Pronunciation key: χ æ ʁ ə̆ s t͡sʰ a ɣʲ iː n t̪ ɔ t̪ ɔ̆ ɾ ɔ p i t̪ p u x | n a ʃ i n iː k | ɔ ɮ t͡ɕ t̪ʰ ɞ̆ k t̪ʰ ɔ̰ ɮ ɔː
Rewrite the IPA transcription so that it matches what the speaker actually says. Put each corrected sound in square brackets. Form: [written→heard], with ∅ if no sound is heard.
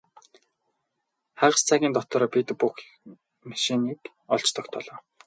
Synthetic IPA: χ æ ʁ ə̆ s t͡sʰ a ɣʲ iː n t̪ ɔ t̪ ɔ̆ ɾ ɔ p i t̪ p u x | [n→m] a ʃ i n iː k | ɔ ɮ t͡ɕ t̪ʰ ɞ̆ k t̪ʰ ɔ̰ ɮ ɔː